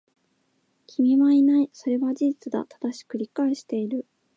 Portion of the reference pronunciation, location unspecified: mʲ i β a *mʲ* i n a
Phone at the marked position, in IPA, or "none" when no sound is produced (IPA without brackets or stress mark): none